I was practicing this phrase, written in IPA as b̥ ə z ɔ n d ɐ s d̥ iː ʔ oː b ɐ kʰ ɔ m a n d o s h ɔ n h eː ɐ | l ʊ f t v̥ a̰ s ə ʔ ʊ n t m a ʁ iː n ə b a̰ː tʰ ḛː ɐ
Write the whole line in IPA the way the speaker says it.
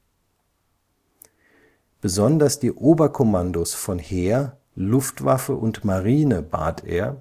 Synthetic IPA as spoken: b̥ ə z ɔ n d ɐ s d̥ iː ʔ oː b ɐ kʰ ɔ m a n d o s f ɔ n h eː ɐ | l ʊ f t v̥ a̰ f ə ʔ ʊ n t m a ʁ iː n ə b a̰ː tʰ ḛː ɐ